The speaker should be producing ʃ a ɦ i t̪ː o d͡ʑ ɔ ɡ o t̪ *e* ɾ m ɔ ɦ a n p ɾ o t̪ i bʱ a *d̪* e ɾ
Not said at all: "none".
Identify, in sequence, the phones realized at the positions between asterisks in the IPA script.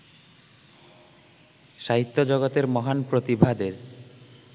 e, d̪

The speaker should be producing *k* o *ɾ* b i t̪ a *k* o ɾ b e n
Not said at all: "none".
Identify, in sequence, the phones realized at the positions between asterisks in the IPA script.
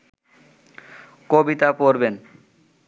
k, none, p

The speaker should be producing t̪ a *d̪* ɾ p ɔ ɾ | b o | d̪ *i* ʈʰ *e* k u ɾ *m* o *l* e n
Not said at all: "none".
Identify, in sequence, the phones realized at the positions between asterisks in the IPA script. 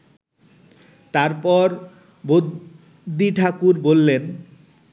none, i, a, b, lː

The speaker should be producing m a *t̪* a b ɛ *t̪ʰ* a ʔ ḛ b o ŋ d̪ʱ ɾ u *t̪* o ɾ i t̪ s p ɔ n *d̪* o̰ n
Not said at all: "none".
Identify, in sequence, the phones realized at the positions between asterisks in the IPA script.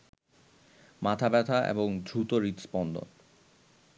t̪ʰ, t̪ʰ, t̪, d̪

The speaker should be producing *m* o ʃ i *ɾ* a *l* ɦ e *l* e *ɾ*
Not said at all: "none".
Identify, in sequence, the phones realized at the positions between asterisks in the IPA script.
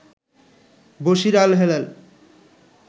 b, ɾ, l, l, l

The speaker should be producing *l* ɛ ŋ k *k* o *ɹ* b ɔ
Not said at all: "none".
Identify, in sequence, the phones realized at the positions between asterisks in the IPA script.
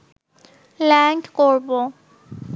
l, k, ɹ

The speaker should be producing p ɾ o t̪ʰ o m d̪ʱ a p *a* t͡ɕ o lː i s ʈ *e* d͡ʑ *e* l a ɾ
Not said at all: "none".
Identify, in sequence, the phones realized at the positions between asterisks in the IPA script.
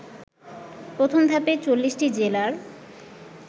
e, i, e

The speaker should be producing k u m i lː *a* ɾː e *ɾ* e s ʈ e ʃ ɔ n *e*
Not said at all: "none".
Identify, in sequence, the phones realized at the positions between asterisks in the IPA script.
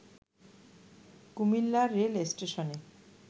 a, l, e

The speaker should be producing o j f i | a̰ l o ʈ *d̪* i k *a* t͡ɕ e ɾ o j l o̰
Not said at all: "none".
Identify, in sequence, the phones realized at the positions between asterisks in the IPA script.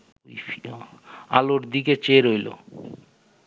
d̪, e

